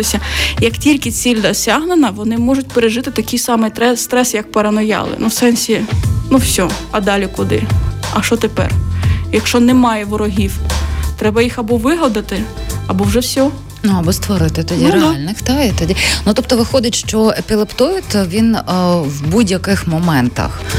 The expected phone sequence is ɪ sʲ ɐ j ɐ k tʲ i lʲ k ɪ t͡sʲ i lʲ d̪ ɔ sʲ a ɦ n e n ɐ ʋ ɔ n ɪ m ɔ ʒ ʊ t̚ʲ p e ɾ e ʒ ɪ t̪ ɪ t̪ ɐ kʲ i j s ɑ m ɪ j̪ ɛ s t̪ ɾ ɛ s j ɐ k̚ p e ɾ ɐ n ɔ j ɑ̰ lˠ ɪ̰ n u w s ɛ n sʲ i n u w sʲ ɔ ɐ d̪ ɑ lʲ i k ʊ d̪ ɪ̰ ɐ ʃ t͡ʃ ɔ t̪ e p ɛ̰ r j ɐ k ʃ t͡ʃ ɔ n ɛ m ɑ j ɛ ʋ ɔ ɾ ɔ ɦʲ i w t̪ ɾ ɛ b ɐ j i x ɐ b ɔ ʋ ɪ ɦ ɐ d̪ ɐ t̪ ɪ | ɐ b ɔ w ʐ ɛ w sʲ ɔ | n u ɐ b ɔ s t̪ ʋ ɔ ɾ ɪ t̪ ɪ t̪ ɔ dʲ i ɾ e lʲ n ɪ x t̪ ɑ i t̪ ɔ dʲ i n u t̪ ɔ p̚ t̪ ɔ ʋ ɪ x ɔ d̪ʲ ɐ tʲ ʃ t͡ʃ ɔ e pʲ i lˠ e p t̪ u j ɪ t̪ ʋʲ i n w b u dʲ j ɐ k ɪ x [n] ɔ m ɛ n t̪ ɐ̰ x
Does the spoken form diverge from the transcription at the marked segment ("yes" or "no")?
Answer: yes